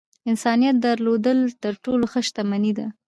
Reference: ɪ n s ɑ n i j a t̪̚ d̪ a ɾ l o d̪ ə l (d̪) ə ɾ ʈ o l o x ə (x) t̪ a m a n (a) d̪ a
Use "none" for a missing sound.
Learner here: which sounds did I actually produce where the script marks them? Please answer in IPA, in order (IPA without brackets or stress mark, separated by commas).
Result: t̪, ʃ, i